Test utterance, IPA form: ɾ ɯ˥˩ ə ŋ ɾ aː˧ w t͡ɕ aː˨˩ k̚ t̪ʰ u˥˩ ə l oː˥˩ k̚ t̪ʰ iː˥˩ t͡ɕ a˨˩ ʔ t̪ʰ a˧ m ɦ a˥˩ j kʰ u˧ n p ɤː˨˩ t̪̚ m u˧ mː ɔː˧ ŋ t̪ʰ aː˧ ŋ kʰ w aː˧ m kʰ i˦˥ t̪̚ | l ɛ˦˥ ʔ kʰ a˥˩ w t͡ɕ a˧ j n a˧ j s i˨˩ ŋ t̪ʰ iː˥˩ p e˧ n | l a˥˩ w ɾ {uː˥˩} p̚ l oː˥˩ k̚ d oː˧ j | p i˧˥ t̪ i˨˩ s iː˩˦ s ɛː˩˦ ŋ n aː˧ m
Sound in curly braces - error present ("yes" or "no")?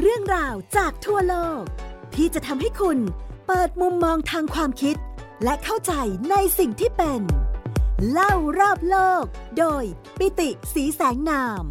yes